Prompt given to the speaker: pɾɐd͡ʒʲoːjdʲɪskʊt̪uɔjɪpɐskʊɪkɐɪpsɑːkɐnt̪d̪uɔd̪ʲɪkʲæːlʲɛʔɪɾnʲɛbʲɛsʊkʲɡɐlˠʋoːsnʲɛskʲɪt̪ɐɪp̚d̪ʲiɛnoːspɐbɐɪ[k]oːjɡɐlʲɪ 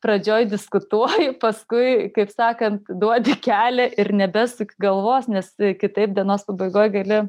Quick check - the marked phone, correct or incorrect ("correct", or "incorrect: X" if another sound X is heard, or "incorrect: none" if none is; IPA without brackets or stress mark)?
incorrect: ɡ